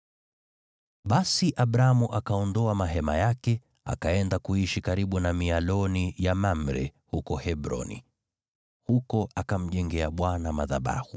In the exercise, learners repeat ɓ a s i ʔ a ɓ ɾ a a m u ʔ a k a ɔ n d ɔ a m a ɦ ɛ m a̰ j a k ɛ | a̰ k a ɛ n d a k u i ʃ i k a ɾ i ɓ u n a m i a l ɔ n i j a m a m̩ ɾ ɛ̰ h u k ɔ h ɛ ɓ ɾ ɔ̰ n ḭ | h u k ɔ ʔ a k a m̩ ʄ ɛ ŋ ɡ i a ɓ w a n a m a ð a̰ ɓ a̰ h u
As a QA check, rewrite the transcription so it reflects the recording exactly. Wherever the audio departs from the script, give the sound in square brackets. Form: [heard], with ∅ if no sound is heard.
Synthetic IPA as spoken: ɓ a s i ʔ a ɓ ɾ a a m u ʔ a k a ɔ n d ɔ a m a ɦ ɛ m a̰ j a k ɛ | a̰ k a ɛ n d a k u i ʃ i k a ɾ i ɓ u n a m i a l ɔ n i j a m a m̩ ɾ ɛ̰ h u k ɔ h ɛ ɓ ɾ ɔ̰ n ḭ | h u k ɔ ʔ a k a m̩ ʄ ɛ ŋ ɡ [ɛ] a ɓ w a n a m a ð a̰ ɓ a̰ h u